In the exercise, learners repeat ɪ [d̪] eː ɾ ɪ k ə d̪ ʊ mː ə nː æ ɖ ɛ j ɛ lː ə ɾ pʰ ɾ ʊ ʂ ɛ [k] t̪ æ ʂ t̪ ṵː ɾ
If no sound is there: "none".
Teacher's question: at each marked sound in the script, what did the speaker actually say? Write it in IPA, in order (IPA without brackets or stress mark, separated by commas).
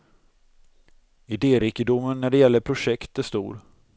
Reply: d̪, k